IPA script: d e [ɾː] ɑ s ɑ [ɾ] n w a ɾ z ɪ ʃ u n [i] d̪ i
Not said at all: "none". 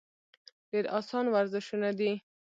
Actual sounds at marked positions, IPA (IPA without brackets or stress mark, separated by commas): ɾ, none, a